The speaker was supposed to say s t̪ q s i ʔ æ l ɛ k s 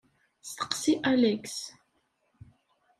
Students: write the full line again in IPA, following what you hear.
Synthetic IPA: s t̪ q s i ʔ a l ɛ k s

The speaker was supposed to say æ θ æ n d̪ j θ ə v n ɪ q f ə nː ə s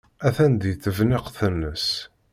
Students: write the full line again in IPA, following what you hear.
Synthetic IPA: æ θ æ n d̪ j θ ə v n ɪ q θ ə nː ə s

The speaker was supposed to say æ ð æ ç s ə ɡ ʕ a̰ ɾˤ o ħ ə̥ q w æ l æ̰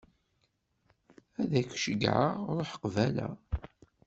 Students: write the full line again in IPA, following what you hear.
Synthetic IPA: æ ð æ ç ʃ ə ɡ ʕ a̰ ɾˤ o ħ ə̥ q v æ l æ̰

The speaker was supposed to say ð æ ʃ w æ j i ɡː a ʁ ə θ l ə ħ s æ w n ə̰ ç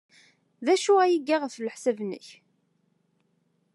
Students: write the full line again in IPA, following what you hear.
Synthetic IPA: ð æ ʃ u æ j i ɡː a ʁ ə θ l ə ħ s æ v n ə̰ ç

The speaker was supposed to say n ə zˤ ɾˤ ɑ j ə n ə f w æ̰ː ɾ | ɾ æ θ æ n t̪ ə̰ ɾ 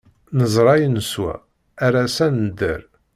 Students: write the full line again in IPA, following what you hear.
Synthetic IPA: n ə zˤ ɾˤ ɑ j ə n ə s w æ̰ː | ɾ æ s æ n d̪ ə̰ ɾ

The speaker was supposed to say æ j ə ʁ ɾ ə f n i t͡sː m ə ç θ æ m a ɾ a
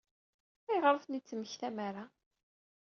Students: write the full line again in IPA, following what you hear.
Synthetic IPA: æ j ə ʁ ɾ ə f n i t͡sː m ə ç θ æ m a ɾ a

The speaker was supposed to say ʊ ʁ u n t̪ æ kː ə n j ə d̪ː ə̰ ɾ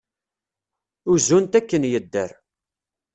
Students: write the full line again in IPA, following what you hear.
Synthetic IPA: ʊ z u n t̪ æ kː ə n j ə d̪ː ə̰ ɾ

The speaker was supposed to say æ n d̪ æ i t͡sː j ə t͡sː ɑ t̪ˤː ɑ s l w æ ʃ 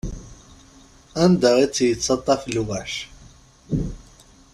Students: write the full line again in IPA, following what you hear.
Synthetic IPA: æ n d̪ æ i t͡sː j ə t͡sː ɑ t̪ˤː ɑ f l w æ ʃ

